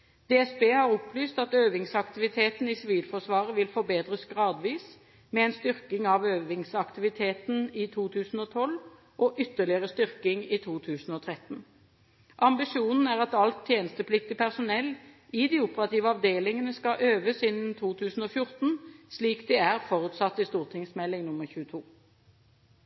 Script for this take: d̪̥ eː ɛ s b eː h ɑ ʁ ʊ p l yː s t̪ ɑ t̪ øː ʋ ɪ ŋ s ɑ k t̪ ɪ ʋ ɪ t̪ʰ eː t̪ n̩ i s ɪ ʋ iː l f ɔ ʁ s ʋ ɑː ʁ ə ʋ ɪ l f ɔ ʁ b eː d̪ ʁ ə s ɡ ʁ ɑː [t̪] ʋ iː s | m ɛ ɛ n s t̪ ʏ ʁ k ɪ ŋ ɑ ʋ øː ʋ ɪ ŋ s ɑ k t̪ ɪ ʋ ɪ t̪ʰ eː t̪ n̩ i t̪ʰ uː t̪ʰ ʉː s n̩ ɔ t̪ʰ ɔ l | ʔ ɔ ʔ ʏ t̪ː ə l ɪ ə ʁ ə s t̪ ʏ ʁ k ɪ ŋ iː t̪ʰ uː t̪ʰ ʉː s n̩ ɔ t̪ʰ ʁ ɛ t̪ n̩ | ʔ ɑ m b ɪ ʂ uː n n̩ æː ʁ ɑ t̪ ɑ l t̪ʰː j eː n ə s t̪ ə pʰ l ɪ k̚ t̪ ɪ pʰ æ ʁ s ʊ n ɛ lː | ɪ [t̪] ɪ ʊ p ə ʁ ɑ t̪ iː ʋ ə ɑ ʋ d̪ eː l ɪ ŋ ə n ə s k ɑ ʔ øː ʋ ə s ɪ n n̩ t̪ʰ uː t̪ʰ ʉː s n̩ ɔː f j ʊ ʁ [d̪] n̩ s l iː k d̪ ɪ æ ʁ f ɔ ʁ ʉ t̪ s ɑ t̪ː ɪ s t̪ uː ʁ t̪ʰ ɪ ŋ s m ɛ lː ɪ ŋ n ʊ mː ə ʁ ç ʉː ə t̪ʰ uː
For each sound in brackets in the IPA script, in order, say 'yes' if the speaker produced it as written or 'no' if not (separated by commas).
no, no, no